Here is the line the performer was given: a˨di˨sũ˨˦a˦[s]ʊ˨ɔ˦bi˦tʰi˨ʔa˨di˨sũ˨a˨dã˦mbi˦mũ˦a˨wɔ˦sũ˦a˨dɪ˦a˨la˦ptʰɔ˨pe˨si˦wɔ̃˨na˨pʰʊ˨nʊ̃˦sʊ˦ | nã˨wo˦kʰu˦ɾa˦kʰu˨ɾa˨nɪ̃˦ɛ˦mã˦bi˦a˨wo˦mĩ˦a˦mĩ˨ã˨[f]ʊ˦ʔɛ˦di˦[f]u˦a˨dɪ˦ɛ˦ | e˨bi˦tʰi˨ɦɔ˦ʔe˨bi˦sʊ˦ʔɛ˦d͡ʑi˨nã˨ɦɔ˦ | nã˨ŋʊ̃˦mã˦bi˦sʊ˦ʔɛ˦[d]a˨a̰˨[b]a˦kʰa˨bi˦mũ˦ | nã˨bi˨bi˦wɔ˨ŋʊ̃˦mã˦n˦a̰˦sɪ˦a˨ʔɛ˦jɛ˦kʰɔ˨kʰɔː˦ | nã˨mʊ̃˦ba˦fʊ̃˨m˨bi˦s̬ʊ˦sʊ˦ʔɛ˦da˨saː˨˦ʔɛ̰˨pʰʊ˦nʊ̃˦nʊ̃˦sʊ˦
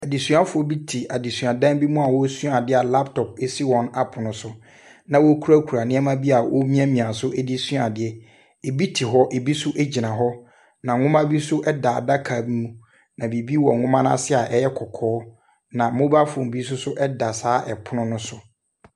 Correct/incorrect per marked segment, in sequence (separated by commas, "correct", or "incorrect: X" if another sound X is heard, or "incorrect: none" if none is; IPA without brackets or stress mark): incorrect: f, incorrect: s, incorrect: s, correct, incorrect: d